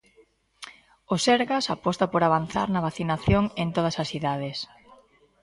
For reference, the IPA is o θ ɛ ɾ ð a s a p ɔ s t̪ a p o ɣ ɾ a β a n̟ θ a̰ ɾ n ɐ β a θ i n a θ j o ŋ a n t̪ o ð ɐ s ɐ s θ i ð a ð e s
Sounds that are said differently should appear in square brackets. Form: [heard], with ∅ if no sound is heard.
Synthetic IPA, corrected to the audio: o [s] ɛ ɾ [ɣ] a s a p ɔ s t̪ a p o [∅] ɾ a β a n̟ θ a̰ ɾ n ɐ β a θ i n a θ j o ŋ [e] n t̪ o ð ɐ s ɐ s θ i ð a ð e s